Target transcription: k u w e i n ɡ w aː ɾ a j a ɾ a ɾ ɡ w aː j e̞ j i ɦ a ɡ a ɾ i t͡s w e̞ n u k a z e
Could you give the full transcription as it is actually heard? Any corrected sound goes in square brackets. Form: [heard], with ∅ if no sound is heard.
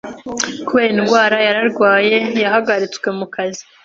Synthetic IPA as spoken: k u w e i n ɡ w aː ɾ a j a ɾ a ɾ ɡ w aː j e̞ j [a] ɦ a ɡ a ɾ i t͡s w e̞ [m] u k a z [i]